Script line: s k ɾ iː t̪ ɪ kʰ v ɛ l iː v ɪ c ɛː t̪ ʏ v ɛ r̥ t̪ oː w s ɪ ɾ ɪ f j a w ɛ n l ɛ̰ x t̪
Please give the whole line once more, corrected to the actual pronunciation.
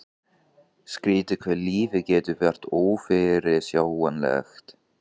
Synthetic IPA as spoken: s k ɾ iː t̪ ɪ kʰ v ɛ l iː v ɪ c ɛː t̪ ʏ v ɛ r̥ t̪ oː w f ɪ ɾ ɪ s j a w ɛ n l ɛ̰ x t̪